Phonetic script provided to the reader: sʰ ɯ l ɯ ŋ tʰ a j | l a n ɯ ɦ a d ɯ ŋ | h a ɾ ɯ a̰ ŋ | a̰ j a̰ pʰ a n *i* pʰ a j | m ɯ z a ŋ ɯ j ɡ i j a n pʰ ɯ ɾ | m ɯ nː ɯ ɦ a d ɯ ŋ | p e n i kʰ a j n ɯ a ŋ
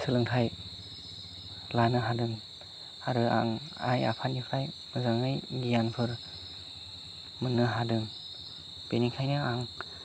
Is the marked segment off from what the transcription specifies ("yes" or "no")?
no